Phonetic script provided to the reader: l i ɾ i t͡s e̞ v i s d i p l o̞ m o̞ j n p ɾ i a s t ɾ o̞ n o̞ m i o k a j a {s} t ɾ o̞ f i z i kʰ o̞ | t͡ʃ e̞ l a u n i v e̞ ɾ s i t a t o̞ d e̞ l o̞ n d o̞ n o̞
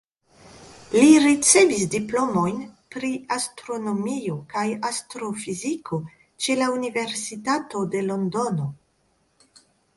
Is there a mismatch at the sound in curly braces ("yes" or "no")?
no